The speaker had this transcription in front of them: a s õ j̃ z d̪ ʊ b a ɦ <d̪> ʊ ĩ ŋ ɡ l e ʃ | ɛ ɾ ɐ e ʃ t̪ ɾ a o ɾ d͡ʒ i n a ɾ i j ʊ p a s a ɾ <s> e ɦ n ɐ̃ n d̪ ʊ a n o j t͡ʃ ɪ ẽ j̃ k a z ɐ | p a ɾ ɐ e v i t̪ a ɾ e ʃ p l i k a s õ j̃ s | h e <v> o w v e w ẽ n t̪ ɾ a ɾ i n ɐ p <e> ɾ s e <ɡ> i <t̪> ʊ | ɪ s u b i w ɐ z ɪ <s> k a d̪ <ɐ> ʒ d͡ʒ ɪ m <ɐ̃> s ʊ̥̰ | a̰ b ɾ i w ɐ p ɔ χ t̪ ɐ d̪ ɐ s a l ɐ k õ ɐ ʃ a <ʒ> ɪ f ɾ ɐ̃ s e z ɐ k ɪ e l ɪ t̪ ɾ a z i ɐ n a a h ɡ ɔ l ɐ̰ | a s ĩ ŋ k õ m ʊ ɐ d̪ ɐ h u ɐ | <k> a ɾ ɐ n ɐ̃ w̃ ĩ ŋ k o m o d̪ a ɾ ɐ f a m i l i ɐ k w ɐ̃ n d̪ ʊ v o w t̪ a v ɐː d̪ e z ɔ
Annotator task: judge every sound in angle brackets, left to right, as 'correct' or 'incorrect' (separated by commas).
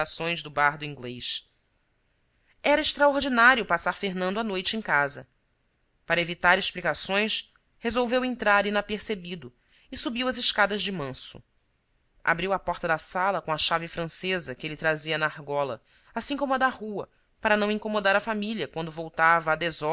correct, incorrect, incorrect, correct, incorrect, incorrect, incorrect, correct, correct, incorrect, incorrect